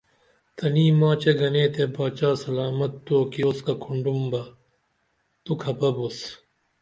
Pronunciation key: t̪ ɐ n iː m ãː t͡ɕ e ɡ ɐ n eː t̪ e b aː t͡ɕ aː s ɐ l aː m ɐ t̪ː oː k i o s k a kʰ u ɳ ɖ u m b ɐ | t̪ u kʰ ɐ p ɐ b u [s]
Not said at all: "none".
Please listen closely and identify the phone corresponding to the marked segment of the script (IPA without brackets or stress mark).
s